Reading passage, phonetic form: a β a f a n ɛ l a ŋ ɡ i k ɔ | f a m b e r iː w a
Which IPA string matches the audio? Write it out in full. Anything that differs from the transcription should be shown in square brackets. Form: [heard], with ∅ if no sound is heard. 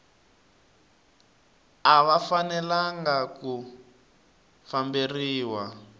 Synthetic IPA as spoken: a β a f a n ɛ l a ŋ ɡ [a] k [u] | f a m b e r iː w a

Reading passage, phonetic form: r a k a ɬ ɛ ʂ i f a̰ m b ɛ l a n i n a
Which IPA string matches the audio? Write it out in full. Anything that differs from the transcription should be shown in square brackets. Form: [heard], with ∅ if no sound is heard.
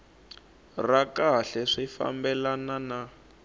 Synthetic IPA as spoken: r a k a ɬ ɛ ʂ i f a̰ m b ɛ l a n [a] n a

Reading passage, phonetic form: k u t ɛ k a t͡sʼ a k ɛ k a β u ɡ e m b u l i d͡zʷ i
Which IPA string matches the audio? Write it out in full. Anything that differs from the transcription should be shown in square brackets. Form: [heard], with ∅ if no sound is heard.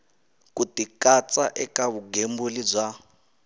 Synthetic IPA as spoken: k u t [i] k a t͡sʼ a [ʔ] ɛ k a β u ɡ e m b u l i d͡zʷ [a]

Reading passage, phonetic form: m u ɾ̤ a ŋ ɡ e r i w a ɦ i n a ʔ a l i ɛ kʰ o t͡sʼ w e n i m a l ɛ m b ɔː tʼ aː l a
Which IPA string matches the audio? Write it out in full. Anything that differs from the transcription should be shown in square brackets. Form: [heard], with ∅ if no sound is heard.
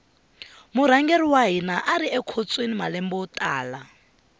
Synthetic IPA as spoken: m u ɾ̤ a ŋ ɡ e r i w a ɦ i n a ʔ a [ɾ] i ɛ kʰ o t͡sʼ w e n i m a l ɛ m b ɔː tʼ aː l a

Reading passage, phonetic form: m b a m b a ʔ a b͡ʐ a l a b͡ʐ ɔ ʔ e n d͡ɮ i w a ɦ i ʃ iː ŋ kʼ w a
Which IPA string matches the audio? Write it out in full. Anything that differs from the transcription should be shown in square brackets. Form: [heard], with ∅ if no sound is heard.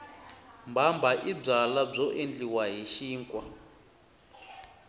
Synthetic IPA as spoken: m b a m b a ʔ [i] b͡ʐ a l a b͡ʐ ɔ ʔ e n d͡ɮ i w a ɦ i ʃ iː ŋ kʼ w a

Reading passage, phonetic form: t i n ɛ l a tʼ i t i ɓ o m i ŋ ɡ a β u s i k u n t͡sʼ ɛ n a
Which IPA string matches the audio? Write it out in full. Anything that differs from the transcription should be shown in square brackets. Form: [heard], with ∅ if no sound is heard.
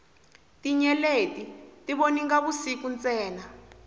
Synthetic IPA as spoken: t i [ɲ] ɛ l [e] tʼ i t i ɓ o [n] i ŋ ɡ a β u s i k u n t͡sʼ [ɛː] n a

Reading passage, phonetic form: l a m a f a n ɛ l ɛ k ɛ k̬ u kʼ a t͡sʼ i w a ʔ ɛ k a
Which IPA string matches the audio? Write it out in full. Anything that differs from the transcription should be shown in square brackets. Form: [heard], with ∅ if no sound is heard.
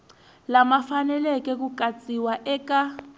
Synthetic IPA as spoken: l a m a f a n ɛ l ɛ k ɛ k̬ u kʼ a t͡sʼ i w a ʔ ɛ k a

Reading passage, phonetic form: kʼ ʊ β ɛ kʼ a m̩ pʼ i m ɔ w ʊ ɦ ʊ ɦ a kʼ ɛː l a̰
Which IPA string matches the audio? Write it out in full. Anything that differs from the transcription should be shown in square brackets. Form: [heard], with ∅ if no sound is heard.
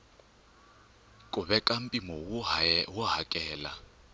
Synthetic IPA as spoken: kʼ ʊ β ɛ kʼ a m̩ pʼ i m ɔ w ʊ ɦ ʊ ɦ a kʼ ɛː l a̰

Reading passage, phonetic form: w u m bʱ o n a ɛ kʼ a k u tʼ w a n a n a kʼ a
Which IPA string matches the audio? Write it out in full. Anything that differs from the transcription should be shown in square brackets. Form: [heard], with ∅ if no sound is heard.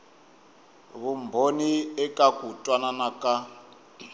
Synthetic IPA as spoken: [β] u m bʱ o n [i] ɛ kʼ a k u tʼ w a n a n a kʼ a

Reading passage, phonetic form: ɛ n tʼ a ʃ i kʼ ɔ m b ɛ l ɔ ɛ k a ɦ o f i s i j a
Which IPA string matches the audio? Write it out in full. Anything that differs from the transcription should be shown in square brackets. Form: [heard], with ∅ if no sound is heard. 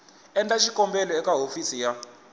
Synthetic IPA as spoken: ɛ n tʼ a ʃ i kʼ ɔ m b ɛ l ɔ ɛ k a ɦ o f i s i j a

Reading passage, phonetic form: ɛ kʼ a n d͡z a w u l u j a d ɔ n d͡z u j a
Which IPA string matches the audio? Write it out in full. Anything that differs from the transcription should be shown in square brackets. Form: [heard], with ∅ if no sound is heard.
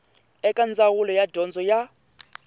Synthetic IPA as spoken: ɛ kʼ a n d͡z a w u l [ɔ] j a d ɔ n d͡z [ɔ] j a

